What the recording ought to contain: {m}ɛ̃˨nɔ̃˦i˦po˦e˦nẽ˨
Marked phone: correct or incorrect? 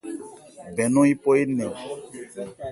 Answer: incorrect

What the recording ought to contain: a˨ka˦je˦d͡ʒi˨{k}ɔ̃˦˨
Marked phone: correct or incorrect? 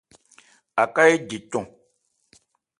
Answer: incorrect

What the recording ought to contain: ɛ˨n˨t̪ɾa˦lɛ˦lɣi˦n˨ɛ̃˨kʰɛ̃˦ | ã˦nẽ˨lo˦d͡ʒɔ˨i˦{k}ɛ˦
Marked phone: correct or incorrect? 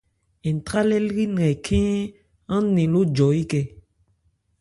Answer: correct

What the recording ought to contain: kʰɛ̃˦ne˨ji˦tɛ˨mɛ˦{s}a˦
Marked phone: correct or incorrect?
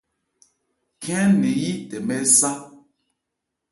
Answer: correct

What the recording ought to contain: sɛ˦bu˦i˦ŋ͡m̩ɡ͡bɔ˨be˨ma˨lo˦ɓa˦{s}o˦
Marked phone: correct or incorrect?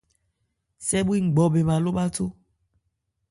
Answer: incorrect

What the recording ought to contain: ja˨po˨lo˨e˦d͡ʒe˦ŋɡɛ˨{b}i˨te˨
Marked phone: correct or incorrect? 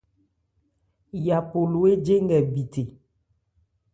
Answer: correct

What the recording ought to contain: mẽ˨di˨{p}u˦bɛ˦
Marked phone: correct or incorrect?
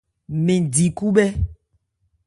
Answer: incorrect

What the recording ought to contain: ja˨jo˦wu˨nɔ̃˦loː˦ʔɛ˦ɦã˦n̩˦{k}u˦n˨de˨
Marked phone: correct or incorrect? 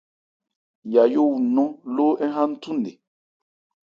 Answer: incorrect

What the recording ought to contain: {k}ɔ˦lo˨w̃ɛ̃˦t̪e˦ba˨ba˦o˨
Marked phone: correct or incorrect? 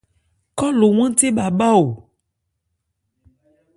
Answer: correct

